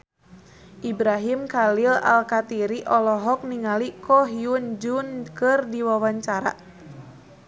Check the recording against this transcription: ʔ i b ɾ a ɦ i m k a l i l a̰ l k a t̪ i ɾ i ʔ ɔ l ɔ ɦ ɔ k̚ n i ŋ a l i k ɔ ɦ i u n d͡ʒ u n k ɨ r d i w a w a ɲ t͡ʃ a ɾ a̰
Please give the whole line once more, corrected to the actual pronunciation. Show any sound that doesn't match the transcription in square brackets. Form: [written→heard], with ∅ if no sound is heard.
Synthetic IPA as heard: ʔ i b ɾ a ɦ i m k a l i l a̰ l k a t̪ i ɾ i ʔ ɔ l ɔ ɦ ɔ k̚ n i ŋ a l i k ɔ ɦ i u n d͡ʒ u n k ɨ r d i w a w a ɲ t͡ʃ a ɾ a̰